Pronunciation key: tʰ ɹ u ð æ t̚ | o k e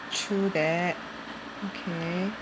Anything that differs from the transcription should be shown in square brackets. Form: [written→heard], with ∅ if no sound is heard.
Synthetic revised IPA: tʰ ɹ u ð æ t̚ | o [k→kʰ] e